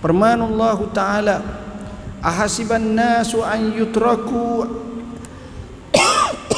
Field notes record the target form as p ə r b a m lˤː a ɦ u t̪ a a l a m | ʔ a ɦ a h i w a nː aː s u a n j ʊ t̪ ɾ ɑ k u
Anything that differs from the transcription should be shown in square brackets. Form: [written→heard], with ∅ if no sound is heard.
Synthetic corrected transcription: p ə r [b→m] a [m→n] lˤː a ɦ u t̪ a a l a [m→∅] | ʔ a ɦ a [h→s] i [w→b] a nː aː s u a n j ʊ t̪ ɾ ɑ k u